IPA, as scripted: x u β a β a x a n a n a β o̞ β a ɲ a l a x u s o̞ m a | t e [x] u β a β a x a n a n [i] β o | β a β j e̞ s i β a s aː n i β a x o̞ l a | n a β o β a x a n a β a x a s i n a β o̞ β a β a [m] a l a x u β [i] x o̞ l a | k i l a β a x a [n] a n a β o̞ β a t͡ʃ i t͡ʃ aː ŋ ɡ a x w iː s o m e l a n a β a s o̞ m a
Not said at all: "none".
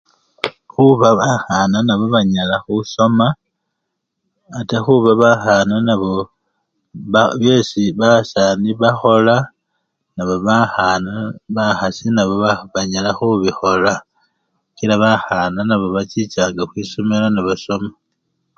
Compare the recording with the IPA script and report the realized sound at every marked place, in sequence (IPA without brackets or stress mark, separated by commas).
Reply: x, a, ɲ, i, n